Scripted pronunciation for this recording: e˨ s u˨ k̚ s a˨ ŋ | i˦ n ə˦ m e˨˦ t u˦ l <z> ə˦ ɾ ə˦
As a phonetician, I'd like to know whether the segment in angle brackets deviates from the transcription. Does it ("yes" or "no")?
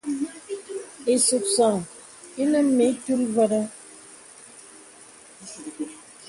yes